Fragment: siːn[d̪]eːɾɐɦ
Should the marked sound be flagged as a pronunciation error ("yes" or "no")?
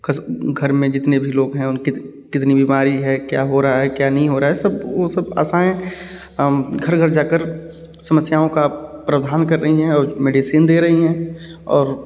no